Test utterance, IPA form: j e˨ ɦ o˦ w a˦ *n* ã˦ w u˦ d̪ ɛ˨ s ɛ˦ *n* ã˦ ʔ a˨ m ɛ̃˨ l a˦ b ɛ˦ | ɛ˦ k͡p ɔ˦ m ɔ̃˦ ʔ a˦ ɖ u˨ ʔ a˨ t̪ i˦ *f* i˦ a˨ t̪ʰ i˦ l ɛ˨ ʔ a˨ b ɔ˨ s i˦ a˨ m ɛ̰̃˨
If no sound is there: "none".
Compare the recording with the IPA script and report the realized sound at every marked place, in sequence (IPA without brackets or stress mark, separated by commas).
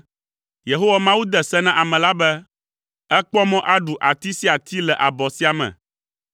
m, n, s